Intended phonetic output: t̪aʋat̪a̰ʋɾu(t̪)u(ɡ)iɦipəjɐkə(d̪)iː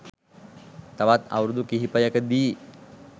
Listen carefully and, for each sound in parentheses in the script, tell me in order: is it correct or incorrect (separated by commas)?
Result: incorrect, incorrect, correct